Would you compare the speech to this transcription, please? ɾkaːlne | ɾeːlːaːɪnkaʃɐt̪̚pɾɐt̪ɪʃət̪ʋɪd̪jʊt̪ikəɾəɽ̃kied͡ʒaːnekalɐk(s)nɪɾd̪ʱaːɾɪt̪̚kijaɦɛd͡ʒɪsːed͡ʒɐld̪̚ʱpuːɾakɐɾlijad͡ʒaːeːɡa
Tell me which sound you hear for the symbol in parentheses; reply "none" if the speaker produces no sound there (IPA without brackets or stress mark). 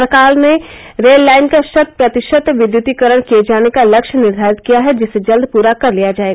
ʃ